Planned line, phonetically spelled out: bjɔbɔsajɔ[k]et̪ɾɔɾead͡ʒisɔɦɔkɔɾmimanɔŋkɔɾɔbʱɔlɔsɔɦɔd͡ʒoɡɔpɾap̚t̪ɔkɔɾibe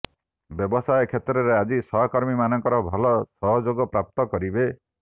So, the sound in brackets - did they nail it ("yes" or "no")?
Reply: no